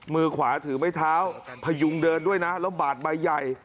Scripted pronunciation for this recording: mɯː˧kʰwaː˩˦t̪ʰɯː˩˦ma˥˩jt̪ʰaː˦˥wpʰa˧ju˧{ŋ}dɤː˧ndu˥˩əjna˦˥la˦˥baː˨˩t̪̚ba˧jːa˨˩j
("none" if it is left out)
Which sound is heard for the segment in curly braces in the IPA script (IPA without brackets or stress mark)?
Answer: ŋ